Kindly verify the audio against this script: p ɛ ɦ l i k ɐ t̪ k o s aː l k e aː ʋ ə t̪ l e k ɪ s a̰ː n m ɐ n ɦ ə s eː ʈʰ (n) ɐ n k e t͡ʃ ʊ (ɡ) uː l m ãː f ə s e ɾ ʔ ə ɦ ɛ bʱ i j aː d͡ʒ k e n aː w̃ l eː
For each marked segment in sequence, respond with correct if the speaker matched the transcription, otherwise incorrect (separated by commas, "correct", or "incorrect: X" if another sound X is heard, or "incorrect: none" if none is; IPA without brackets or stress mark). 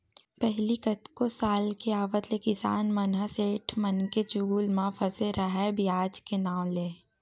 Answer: incorrect: m, correct